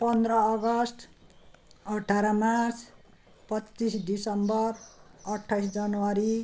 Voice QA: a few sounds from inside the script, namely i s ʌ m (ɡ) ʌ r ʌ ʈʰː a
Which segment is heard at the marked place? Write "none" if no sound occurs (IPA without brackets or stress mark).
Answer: b